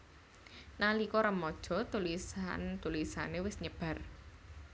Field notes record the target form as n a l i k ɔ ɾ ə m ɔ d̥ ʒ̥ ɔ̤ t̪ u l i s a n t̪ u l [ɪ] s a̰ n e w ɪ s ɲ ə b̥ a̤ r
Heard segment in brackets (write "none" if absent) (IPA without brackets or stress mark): i